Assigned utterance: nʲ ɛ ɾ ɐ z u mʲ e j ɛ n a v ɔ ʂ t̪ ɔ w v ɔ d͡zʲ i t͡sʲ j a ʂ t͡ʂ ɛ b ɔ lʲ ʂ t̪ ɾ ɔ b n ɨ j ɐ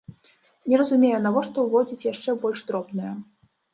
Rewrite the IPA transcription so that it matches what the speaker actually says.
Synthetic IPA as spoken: nʲ ɛ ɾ ɐ z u mʲ e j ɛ n a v ɔ ʂ t̪ ɔ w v ɔ d͡zʲ i t͡sʲ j a ʂ t͡ʂ ɛ b ɔ lʲ ʂ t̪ ɾ ɔ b n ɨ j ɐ